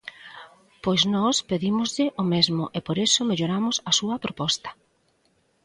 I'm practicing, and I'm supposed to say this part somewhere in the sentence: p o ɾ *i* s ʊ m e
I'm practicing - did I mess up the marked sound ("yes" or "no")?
yes